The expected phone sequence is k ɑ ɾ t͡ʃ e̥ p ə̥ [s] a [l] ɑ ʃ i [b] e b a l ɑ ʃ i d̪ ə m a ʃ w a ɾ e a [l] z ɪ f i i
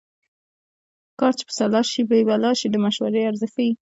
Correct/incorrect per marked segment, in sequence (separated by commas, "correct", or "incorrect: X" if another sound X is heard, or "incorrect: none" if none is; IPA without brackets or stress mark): correct, correct, correct, incorrect: ɾ